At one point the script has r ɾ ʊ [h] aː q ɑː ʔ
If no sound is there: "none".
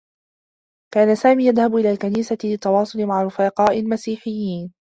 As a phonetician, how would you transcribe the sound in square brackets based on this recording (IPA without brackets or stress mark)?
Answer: f